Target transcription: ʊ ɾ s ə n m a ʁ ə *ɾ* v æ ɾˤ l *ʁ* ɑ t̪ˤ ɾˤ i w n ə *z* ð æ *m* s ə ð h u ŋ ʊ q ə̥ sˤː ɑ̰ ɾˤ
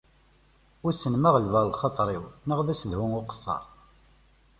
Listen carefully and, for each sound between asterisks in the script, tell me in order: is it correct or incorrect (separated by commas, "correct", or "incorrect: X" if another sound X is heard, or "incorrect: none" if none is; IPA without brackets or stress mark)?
incorrect: l, incorrect: χ, incorrect: ʁ, incorrect: none